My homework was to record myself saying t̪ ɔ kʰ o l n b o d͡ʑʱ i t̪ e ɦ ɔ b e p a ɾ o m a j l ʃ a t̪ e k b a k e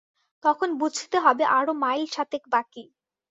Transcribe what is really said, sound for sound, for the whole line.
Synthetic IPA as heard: t̪ ɔ kʰ o n b u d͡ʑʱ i t̪ e ɦ ɔ b e ʔ a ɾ o m a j l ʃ a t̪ e k b a k i